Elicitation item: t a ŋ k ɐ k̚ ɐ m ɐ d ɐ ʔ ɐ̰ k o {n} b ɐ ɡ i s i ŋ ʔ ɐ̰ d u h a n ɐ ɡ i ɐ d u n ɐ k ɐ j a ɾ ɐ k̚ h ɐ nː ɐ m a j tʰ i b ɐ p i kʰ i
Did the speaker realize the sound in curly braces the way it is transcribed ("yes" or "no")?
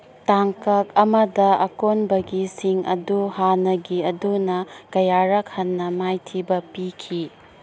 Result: yes